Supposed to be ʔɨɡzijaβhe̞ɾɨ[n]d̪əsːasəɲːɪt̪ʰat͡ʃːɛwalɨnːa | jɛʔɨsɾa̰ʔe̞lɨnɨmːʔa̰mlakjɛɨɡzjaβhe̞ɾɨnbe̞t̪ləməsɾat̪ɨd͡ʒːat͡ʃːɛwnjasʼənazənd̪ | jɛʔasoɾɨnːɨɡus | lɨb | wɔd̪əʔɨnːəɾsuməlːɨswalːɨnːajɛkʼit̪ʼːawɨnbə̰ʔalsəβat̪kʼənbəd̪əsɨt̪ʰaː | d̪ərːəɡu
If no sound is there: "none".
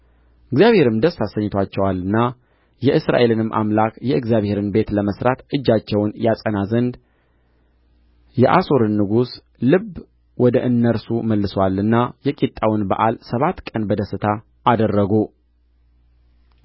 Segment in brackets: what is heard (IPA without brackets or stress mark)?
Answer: m